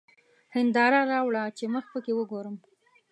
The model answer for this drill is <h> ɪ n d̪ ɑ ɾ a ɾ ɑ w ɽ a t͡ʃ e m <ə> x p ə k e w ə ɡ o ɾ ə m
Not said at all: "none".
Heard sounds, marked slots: h, ə

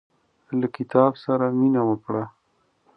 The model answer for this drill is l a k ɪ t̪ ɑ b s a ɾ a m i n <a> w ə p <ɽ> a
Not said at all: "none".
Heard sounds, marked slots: a, ɽ

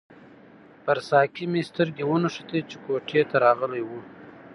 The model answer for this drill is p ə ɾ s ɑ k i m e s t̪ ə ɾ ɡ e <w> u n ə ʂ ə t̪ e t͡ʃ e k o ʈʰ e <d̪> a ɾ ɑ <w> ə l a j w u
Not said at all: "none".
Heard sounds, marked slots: w, t̪, ɣ

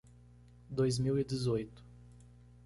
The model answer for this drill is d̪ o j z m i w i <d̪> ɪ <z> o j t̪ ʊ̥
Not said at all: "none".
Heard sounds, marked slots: d̪, z

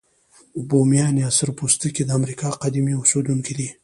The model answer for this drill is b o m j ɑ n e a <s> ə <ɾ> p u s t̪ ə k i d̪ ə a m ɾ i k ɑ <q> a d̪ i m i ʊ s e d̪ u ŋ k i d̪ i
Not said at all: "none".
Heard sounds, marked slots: s, ɾ, q

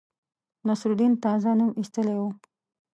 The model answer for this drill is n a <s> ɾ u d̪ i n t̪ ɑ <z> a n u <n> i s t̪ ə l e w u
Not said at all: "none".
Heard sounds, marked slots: s, z, m

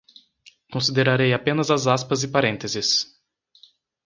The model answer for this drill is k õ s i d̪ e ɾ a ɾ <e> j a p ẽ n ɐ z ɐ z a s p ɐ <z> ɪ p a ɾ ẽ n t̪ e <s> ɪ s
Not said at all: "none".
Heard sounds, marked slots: e, z, z

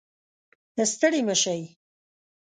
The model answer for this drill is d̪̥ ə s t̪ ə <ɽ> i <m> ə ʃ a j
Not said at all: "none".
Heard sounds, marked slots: ɽ, m

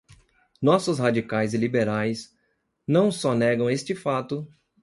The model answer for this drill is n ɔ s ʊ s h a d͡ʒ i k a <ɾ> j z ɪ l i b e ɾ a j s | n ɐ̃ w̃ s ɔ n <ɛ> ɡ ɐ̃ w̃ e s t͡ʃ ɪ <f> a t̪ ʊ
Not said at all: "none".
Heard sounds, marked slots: none, ɛ, f

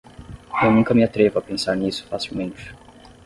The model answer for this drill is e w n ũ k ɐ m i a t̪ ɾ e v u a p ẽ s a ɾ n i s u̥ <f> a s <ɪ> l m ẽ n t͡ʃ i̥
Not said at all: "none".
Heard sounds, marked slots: f, i

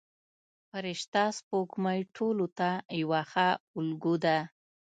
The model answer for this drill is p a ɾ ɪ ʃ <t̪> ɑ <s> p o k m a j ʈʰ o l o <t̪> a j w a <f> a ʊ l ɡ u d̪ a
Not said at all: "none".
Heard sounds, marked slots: t̪, s, t̪, x

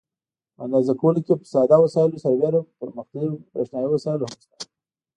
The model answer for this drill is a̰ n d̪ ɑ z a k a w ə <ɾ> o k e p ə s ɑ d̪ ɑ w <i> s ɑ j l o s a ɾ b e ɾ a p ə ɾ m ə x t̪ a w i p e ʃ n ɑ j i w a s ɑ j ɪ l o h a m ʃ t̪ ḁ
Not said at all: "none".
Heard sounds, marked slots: l, a

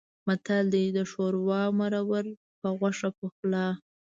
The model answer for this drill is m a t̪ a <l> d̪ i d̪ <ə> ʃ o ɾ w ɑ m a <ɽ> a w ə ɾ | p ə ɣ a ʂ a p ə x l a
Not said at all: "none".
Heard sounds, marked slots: l, ə, ɾ

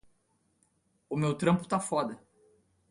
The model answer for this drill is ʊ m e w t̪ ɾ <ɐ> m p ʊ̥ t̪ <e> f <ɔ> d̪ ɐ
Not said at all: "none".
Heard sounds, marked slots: ɐ̃, a, ɔ

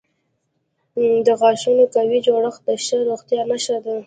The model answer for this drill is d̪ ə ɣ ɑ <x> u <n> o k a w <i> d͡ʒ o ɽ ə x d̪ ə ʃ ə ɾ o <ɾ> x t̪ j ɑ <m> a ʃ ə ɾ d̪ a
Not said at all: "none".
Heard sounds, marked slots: ʃ, n, i, none, n

